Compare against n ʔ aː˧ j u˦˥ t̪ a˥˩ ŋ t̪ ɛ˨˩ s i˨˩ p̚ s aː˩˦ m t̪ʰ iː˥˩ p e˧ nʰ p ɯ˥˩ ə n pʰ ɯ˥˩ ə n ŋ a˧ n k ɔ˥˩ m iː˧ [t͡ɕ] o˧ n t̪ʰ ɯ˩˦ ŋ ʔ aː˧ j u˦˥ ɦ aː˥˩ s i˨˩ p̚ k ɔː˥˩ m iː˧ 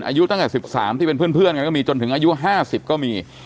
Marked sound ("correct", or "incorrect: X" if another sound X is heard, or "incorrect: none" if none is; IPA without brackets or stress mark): correct